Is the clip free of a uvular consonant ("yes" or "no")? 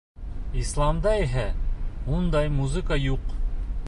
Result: no